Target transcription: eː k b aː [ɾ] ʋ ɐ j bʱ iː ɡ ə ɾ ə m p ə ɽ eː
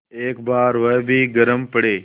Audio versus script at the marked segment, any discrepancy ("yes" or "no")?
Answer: no